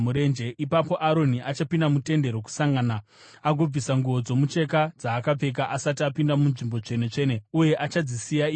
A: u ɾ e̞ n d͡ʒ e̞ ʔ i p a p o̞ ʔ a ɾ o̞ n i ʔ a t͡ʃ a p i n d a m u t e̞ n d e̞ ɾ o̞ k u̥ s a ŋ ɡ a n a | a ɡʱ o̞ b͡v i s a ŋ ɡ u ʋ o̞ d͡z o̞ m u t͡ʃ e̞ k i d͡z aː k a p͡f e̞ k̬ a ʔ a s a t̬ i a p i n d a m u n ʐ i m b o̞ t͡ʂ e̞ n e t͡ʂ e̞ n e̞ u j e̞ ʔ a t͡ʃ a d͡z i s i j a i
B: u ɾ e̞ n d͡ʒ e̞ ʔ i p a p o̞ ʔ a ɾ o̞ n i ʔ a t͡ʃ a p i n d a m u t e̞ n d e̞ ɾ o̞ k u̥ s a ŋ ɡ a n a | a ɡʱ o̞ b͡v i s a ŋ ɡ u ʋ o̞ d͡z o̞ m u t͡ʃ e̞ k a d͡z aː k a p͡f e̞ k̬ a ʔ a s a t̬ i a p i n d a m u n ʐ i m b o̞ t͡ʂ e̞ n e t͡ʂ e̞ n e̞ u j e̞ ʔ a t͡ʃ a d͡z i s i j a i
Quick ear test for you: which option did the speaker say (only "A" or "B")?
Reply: B